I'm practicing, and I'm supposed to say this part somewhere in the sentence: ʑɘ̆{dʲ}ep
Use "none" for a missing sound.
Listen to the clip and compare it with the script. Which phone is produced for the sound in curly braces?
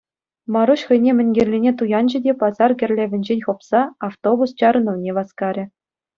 dʲ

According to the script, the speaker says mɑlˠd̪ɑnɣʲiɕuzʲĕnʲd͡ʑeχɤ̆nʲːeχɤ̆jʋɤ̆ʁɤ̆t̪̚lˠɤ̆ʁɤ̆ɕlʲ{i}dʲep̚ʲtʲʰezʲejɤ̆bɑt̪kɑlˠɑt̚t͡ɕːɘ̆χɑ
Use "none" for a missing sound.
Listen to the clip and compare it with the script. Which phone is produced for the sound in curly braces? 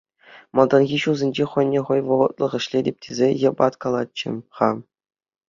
e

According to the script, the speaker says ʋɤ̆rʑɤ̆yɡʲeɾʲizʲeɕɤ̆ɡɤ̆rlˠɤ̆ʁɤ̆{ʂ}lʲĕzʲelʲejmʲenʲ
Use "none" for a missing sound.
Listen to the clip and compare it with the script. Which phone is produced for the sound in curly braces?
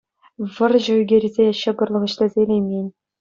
ɕ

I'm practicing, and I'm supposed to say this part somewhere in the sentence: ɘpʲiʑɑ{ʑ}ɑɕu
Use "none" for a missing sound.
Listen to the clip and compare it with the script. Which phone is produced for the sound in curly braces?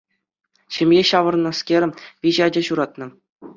d͡ʑ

